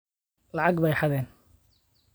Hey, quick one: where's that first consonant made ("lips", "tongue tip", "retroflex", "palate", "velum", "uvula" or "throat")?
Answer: tongue tip